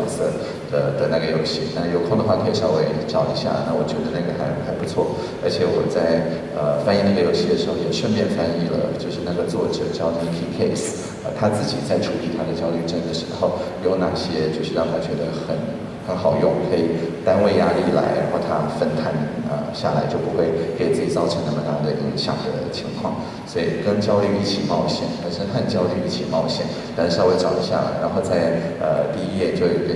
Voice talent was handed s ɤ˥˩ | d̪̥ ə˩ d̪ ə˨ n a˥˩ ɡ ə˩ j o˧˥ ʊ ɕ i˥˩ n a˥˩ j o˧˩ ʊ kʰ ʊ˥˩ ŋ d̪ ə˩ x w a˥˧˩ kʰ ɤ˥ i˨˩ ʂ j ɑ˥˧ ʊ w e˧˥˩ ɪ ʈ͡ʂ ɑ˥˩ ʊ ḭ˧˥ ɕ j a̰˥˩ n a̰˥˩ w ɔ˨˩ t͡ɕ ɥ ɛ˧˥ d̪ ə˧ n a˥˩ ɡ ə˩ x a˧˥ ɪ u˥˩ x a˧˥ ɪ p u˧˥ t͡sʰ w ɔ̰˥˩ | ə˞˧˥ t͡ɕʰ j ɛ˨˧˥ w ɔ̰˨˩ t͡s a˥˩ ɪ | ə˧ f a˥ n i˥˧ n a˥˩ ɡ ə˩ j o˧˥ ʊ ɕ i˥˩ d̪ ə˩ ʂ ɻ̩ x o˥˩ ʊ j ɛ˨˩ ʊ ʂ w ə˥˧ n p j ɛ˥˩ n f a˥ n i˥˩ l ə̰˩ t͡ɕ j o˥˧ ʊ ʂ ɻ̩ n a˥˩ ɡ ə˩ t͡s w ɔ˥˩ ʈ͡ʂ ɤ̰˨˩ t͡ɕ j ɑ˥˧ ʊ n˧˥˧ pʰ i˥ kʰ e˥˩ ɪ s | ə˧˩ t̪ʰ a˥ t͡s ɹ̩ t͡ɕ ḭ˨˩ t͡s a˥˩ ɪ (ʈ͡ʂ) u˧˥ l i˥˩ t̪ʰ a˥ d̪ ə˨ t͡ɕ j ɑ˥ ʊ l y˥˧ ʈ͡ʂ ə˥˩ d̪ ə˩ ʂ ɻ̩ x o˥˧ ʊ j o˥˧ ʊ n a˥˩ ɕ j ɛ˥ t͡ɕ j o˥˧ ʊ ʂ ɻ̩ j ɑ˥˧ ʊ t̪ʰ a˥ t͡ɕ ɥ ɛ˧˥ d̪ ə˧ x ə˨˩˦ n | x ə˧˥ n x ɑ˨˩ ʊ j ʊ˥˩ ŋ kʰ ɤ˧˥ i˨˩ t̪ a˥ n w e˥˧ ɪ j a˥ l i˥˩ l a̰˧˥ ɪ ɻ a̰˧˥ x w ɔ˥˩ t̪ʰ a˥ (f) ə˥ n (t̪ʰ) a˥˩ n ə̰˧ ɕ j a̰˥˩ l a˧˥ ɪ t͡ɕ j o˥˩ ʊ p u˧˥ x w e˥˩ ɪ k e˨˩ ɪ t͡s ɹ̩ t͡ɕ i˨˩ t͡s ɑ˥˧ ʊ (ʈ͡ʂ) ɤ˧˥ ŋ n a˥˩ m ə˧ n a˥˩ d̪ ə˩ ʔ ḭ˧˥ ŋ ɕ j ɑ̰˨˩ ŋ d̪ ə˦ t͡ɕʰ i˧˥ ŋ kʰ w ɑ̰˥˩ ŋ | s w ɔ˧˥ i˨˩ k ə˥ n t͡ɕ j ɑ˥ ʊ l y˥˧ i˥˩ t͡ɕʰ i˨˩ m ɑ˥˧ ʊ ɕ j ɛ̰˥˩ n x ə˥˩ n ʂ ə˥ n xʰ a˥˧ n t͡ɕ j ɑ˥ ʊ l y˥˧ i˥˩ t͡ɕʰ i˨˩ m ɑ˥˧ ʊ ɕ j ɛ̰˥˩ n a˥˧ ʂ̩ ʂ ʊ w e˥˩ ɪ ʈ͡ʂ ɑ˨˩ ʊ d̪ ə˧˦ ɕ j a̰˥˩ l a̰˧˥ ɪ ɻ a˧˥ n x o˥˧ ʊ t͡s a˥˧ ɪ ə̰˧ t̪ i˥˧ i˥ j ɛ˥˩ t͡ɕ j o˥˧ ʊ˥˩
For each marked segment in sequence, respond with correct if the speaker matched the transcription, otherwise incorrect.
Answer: incorrect, correct, correct, incorrect

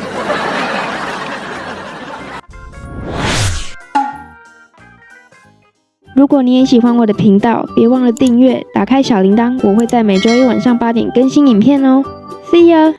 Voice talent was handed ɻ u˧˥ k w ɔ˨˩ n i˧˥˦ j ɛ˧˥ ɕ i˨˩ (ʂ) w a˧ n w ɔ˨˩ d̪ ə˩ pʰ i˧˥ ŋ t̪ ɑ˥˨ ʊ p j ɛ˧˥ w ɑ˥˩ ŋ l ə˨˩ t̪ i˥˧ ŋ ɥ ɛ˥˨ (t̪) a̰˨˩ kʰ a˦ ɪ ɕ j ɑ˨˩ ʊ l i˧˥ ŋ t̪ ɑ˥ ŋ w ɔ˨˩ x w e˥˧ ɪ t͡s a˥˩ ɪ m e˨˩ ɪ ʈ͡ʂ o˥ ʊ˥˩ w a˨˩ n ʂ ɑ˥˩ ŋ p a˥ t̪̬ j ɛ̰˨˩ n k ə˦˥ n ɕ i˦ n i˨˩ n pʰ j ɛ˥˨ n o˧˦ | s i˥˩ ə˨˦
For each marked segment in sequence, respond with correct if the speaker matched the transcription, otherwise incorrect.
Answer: incorrect, correct

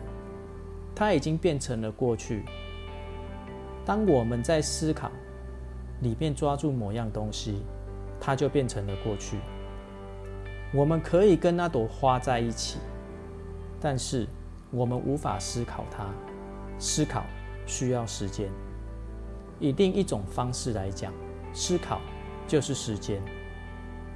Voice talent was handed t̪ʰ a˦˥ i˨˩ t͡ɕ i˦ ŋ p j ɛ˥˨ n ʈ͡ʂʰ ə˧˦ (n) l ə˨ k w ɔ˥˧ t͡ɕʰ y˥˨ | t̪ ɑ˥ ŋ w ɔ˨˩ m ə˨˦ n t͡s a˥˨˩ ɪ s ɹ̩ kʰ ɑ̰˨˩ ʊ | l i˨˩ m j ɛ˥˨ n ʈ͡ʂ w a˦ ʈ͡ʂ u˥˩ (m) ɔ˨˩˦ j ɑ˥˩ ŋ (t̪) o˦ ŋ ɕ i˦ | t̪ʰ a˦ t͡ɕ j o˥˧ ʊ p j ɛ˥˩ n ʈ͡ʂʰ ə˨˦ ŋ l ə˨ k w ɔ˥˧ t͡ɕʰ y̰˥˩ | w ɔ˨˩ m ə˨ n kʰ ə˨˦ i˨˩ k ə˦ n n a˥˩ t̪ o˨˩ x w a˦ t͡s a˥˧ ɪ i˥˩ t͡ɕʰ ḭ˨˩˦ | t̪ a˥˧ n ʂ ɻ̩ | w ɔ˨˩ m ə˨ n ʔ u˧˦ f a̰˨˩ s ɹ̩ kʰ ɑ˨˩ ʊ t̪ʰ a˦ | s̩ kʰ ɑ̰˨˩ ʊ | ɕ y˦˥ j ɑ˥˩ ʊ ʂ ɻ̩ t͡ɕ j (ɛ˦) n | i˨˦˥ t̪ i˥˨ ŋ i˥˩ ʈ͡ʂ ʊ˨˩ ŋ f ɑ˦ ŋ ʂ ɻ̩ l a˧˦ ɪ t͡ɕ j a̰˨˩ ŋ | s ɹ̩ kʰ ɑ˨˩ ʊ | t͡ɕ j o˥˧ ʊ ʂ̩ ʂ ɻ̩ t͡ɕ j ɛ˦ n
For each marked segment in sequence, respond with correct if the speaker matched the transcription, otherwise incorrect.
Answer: incorrect, correct, correct, correct

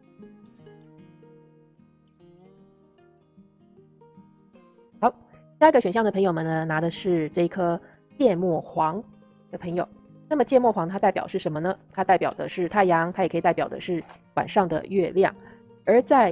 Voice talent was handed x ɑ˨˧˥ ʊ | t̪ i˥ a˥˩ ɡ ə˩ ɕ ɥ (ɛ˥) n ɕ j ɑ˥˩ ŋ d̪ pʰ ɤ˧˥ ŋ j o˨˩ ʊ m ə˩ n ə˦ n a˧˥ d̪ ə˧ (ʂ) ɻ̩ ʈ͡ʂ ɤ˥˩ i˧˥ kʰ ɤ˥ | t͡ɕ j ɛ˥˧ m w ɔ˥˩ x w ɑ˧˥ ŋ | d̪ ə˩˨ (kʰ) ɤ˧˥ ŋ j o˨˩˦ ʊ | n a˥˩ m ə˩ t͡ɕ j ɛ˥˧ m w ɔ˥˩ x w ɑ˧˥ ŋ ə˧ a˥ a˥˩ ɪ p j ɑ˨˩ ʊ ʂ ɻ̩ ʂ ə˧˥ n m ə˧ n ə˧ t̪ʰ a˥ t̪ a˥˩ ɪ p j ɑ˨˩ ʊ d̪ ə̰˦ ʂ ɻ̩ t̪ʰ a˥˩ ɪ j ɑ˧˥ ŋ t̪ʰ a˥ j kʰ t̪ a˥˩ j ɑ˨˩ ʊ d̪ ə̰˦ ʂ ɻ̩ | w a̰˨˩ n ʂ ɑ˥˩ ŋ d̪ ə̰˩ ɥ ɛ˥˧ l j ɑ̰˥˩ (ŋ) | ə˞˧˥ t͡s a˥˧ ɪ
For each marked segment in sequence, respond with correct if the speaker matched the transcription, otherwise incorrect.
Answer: incorrect, correct, incorrect, correct

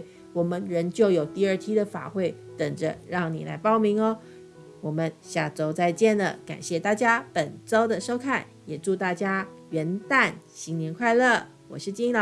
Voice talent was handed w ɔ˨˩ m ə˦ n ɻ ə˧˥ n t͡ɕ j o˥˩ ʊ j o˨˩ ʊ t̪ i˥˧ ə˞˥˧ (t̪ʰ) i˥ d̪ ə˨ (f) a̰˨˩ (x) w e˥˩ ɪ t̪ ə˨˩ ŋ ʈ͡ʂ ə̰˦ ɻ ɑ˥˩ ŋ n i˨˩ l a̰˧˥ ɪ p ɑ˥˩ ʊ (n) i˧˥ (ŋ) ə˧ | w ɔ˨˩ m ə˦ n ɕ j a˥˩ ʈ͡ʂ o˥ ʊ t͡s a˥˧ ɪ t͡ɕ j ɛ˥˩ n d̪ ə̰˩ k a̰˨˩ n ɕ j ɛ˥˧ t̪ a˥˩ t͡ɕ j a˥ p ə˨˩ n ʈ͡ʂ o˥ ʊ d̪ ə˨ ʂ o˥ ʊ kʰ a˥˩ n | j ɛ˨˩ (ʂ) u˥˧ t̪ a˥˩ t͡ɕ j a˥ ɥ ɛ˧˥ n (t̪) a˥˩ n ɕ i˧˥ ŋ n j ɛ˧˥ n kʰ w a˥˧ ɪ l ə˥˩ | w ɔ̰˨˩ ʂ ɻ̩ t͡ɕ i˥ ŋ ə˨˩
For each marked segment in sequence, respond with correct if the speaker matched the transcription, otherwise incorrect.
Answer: correct, correct, correct, incorrect, correct, incorrect, correct

